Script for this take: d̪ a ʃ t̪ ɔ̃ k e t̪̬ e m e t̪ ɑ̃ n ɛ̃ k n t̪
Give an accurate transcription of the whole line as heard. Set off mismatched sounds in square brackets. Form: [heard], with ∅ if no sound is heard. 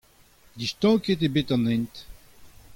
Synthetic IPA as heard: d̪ [i] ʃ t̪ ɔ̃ k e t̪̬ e [b] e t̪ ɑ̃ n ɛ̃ [∅] n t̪